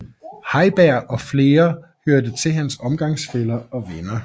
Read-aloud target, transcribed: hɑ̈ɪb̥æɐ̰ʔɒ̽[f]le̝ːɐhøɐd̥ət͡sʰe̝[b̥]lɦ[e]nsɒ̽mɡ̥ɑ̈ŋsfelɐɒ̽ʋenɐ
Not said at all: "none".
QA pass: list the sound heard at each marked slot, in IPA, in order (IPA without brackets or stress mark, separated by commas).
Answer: f, none, æ